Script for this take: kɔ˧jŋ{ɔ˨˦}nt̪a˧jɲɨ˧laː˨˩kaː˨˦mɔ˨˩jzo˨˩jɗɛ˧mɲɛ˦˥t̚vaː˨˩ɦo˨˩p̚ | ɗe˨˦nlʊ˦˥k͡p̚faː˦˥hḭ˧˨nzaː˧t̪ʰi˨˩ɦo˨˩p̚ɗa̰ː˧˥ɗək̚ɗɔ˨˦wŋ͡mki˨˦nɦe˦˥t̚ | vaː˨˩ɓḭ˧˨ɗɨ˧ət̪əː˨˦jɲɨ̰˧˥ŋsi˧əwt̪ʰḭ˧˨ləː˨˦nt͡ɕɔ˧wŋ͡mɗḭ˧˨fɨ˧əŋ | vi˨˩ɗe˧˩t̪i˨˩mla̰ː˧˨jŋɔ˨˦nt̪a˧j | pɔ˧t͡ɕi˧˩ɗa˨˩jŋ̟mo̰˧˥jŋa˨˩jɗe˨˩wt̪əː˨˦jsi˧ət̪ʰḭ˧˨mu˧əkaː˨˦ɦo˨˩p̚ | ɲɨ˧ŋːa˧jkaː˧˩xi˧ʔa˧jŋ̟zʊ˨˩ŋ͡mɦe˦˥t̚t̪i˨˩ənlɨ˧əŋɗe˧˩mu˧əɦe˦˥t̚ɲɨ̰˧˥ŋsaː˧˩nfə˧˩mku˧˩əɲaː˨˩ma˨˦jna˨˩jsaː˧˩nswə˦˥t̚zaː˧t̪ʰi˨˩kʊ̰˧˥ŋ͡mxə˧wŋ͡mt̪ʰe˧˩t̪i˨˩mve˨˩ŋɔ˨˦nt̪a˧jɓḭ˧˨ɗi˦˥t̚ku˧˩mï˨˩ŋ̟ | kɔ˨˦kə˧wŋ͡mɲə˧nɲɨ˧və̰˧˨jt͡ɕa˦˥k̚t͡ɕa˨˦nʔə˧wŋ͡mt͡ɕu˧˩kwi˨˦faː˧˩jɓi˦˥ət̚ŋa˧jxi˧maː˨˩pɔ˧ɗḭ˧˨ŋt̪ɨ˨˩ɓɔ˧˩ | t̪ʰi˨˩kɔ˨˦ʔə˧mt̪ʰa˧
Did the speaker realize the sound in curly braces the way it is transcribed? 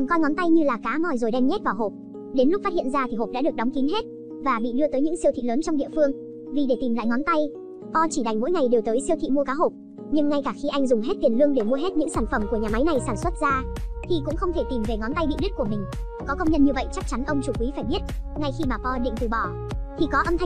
yes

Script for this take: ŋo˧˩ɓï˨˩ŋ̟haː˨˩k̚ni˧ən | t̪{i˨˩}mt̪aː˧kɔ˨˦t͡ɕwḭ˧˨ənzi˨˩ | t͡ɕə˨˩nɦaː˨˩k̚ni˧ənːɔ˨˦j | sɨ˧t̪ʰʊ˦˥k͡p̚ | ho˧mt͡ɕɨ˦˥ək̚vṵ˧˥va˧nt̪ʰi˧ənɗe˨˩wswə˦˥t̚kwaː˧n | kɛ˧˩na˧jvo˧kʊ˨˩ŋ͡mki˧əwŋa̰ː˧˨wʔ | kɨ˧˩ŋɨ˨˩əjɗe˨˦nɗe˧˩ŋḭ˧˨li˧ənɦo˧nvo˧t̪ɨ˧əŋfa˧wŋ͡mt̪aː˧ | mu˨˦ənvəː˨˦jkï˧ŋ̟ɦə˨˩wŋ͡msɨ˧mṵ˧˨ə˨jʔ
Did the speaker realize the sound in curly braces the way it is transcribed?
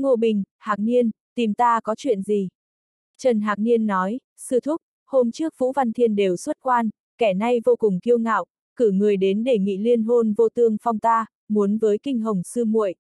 yes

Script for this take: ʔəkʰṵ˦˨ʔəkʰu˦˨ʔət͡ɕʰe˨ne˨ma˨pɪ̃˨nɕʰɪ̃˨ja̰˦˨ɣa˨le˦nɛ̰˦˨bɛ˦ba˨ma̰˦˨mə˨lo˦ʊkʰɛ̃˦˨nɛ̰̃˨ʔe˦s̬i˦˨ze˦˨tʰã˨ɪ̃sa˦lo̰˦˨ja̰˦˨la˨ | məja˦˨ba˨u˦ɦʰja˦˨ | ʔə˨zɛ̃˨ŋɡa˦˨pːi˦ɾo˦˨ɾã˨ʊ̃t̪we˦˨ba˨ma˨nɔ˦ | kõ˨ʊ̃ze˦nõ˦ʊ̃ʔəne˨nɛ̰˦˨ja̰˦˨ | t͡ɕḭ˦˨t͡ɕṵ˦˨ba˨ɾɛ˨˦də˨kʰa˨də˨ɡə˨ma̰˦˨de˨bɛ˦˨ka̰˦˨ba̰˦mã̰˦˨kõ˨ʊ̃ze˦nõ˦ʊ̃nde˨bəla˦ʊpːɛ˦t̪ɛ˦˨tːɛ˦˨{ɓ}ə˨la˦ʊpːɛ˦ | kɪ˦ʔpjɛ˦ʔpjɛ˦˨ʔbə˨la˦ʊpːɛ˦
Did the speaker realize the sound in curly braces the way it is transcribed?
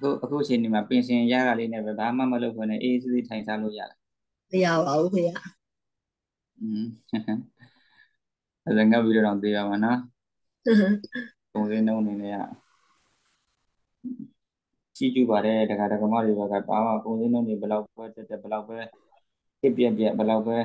no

